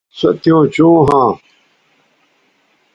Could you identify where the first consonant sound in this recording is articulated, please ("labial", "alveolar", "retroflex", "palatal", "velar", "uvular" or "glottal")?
alveolar